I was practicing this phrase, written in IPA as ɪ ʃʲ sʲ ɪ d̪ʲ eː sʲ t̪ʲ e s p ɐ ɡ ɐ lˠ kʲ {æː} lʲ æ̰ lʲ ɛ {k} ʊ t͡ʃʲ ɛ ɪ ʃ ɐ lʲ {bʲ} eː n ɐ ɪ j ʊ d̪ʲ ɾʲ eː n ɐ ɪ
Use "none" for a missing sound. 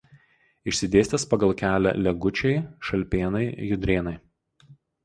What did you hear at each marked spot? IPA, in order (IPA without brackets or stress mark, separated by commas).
æː, ɡ, pʲ